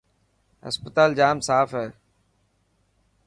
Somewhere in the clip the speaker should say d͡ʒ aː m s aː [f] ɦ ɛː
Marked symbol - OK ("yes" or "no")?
yes